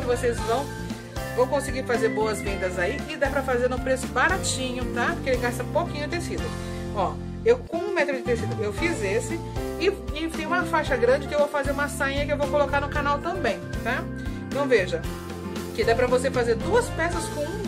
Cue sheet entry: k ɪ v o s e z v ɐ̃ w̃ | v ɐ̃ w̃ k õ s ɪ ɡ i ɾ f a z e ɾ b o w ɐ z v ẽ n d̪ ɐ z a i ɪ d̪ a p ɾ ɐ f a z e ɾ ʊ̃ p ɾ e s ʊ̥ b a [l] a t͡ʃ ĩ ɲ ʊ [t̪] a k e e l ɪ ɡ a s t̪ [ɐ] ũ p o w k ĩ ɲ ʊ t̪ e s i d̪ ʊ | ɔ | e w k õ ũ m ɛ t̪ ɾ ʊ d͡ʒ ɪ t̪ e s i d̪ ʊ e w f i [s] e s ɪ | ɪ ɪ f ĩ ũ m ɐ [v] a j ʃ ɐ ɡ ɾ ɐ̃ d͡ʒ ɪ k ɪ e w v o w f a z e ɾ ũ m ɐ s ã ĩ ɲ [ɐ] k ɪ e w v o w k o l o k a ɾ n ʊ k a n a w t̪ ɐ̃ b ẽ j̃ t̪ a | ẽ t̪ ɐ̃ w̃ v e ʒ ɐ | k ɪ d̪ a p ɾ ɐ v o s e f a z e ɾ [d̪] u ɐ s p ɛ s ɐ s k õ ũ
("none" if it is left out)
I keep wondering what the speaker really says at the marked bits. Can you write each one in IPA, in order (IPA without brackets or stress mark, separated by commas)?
ɾ, t̪, ɐ, z, f, ɐ, d̪